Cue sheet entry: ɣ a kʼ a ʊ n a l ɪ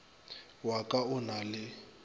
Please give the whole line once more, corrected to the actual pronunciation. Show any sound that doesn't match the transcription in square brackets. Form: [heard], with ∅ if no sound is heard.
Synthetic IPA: [w] a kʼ a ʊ n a l ɪ

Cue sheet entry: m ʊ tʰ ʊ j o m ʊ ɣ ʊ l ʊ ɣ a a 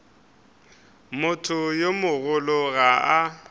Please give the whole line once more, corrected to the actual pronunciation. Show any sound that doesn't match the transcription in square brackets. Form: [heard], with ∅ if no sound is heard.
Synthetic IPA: m ʊ tʰ ʊ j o m ʊ ɣ ʊ l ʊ ɣ a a

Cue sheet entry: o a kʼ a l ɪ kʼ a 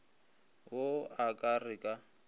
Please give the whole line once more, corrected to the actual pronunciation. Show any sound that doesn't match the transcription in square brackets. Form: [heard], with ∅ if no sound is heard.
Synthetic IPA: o a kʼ a [r] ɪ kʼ a

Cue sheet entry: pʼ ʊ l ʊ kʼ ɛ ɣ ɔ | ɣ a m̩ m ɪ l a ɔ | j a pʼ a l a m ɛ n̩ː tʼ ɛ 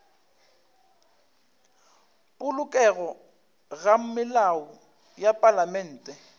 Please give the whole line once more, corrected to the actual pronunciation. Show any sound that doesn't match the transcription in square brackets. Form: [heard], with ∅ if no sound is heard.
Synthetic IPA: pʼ ʊ l ʊ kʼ ɛ ɣ ɔ | ɣ a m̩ m ɪ l a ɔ | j a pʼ a l a m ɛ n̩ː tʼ ɛ

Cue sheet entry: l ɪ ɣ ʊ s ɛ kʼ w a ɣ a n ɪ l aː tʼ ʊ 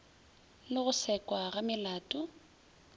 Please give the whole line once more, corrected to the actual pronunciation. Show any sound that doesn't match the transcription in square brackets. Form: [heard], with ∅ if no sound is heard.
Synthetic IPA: l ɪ ɣ ʊ s ɛ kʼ w a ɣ a [m] ɪ l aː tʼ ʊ

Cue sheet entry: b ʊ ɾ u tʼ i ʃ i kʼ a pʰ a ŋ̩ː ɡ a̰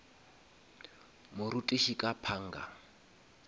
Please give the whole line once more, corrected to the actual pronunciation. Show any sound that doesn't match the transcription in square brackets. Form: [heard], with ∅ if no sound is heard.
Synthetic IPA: [m] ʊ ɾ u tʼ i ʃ i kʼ a pʰ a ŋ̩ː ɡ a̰

